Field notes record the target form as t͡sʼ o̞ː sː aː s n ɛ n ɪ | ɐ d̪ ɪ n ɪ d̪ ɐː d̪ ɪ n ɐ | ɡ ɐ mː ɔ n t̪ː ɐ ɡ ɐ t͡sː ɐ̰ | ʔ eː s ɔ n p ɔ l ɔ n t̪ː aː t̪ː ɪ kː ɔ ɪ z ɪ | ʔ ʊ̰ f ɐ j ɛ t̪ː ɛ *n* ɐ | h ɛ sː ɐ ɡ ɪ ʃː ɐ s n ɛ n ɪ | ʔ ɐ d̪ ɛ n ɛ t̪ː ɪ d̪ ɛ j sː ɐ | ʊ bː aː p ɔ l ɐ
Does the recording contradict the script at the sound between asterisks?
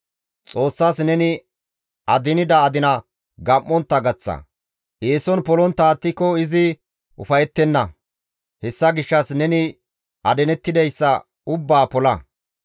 yes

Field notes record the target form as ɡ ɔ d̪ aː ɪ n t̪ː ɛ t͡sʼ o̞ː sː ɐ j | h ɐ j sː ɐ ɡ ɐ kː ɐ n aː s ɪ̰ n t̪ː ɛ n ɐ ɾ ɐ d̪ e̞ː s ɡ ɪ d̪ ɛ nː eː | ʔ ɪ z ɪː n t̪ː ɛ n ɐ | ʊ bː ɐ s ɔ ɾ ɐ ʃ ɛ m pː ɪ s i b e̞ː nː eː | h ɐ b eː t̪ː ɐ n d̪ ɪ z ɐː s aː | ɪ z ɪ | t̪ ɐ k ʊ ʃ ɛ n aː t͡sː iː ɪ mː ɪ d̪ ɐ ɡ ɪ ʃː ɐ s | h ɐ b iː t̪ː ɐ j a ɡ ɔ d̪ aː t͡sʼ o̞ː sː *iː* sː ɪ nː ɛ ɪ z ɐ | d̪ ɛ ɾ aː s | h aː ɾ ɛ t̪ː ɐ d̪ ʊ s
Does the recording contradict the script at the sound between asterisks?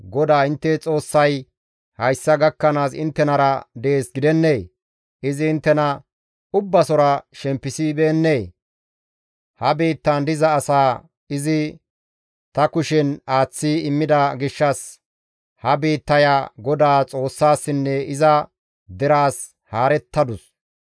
yes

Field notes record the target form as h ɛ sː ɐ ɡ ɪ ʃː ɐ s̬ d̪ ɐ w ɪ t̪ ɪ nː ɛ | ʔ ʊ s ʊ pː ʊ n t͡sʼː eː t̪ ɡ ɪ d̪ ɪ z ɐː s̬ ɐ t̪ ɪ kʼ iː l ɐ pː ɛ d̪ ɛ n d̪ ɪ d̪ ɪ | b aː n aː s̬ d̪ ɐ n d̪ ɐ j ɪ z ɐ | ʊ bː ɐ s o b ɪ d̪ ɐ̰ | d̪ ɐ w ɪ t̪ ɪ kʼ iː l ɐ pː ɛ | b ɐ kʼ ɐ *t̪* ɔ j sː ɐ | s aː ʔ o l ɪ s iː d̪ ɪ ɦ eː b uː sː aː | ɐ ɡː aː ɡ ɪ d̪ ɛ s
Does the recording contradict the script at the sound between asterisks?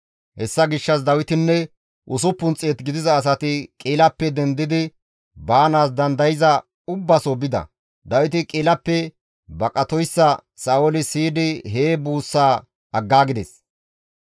no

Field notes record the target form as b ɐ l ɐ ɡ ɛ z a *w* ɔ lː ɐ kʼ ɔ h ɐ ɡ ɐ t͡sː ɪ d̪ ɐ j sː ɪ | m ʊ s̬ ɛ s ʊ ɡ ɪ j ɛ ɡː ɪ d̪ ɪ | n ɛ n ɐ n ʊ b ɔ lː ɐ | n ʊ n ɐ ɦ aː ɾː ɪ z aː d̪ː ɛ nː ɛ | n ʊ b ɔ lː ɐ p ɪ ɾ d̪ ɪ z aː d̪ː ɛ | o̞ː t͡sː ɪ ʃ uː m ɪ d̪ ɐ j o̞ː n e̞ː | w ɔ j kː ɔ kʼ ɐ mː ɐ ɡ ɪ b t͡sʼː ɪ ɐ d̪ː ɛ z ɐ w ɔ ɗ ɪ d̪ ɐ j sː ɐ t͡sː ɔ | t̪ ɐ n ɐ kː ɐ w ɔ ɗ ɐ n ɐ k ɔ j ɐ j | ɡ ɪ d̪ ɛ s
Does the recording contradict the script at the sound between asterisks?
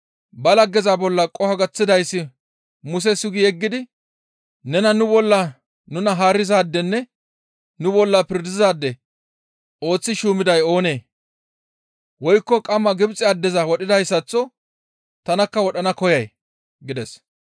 yes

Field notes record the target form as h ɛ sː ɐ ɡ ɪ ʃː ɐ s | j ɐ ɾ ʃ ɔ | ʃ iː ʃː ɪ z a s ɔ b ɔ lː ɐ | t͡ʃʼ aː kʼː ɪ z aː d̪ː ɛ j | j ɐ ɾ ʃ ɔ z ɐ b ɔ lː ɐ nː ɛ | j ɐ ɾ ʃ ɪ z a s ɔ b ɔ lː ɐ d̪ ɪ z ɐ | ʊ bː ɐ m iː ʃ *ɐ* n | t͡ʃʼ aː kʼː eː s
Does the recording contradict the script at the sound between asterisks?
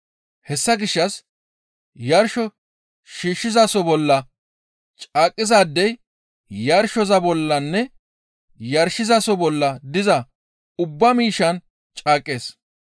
no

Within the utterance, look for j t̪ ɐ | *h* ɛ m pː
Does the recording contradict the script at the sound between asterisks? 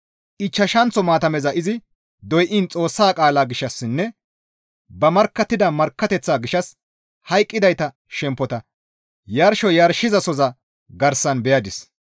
yes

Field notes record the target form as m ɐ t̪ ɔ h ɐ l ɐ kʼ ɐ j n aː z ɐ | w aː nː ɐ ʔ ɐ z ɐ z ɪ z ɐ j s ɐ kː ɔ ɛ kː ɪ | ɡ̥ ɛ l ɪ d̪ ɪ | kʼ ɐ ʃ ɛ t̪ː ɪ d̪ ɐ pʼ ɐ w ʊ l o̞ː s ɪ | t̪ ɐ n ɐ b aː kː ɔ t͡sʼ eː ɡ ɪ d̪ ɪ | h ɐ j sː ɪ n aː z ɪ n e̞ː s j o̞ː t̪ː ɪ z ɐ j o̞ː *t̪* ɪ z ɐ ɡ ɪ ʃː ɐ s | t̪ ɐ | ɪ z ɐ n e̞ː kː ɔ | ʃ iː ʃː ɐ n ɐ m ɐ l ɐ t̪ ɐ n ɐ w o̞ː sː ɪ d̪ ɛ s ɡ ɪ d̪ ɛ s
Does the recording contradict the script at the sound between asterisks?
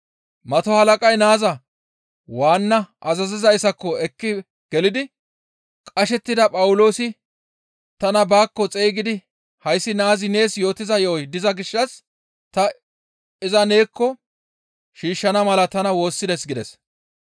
yes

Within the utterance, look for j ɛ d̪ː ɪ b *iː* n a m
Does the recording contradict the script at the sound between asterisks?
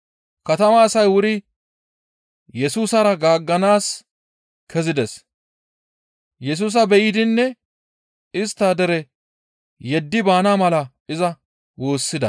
yes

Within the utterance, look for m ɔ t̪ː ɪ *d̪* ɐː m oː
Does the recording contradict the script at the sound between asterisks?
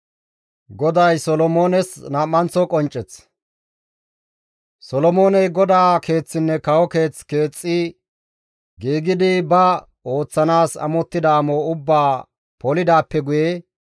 no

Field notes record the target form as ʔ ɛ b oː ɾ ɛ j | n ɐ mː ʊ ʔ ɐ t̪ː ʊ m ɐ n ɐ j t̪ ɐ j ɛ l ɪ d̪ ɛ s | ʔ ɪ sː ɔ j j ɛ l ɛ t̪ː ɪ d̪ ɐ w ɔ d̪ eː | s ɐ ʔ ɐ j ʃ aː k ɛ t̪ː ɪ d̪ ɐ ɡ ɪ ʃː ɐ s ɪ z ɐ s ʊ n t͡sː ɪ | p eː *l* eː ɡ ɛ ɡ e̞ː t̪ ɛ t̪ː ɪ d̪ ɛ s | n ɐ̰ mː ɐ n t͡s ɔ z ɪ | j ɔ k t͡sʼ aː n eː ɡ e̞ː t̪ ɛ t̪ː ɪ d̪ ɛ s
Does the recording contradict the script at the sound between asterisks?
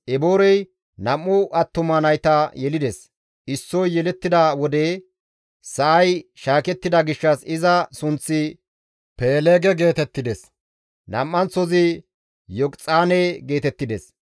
no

